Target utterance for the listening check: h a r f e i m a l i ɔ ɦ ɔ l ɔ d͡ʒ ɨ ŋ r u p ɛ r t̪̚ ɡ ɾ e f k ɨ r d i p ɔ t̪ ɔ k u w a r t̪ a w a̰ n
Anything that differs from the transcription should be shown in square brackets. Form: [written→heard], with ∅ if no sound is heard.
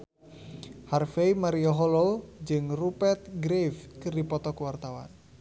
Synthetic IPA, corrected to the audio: h a r f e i m a [l→ɾ] i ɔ ɦ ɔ l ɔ d͡ʒ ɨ ŋ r u p ɛ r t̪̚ ɡ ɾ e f k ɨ r d i p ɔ t̪ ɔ k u w a r t̪ a w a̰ n